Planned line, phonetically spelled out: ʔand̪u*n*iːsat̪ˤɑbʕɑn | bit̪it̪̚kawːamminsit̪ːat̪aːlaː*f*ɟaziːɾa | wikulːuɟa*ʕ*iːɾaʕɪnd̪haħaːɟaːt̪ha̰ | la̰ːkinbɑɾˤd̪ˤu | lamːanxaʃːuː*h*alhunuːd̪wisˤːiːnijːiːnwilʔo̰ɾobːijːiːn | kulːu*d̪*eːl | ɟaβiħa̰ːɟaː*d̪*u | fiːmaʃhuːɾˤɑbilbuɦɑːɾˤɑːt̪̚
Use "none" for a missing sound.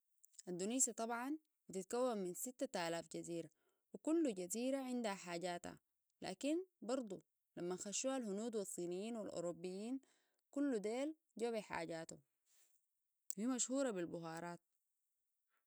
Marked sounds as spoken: n, f, z, h, d̪, t̪

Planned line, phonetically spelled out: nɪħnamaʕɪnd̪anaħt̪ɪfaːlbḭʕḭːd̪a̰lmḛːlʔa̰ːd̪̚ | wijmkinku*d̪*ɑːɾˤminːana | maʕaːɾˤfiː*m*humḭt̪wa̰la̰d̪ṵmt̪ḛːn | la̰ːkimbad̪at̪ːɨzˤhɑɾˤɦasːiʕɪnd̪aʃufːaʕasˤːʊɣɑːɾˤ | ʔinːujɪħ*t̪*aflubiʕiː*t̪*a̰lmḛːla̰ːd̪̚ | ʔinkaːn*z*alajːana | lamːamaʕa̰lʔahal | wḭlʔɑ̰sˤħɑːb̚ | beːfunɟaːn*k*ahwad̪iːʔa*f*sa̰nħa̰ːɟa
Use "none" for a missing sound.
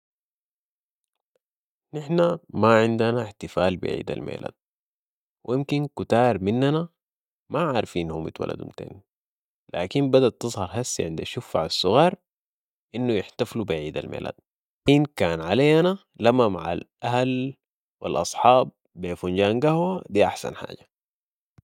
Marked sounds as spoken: t̪, n, t̪, d̪, ʕ, ɡ, ħ

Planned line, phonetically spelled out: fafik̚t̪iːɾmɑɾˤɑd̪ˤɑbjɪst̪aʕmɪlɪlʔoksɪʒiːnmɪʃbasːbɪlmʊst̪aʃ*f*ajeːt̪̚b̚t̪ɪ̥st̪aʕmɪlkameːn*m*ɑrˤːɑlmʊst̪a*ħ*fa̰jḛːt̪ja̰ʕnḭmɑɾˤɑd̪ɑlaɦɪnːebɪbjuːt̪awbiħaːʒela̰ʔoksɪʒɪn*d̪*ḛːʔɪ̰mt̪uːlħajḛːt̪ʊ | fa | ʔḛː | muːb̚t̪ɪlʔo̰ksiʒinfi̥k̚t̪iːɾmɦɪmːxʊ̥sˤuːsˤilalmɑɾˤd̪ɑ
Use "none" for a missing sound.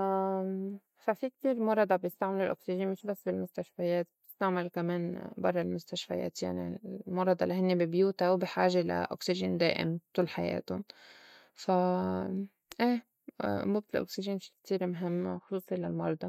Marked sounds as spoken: f, b, ʃ, d̪

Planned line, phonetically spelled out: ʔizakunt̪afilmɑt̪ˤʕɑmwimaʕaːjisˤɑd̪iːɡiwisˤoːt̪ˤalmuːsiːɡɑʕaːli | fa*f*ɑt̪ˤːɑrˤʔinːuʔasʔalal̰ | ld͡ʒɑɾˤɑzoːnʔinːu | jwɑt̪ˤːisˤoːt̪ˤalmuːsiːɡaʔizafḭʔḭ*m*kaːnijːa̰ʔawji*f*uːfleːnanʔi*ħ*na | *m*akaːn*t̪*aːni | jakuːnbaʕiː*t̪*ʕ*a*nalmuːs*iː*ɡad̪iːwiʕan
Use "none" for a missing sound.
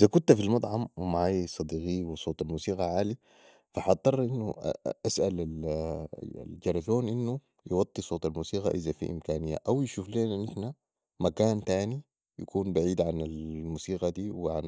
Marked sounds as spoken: ħ, m, ʃ, ħ, m, t̪, d̪, a, iː

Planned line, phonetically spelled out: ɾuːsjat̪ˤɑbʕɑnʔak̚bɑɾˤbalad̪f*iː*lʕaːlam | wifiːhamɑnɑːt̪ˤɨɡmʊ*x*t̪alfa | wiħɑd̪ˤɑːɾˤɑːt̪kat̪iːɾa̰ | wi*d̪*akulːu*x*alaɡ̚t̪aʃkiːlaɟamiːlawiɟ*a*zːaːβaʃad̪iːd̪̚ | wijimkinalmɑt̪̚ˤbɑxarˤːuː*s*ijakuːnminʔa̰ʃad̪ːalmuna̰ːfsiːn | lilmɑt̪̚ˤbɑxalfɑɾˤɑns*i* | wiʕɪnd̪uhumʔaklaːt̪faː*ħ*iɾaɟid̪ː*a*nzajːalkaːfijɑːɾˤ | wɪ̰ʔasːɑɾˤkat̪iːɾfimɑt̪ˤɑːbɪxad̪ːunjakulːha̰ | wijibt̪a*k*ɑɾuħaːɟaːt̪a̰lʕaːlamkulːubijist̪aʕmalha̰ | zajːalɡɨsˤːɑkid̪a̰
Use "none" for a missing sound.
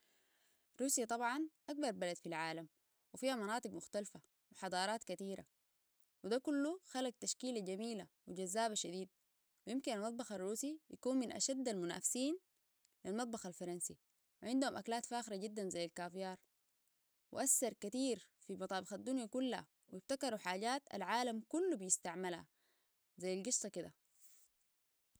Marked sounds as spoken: i, x, d̪, x, a, s, i, x, a, k

